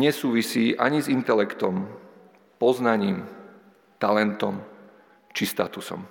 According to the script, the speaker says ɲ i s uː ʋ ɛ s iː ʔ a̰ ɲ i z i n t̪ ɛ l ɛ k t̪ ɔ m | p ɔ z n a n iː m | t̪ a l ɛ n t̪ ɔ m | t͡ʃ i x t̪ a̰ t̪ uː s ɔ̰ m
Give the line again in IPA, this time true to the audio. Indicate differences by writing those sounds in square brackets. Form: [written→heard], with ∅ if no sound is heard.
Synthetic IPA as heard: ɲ [i→ɛ] s uː ʋ [ɛ→i] s iː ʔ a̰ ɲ i z i n t̪ ɛ l ɛ k t̪ ɔ m | p ɔ z n a [n→ɲ] iː m | t̪ a l ɛ n t̪ ɔ m | t͡ʃ i [x→s] t̪ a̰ t̪ [uː→u] s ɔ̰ m